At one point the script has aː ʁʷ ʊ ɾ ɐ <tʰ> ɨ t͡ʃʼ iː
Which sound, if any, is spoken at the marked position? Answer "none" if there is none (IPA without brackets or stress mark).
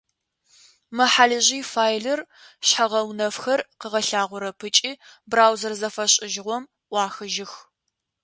pʰ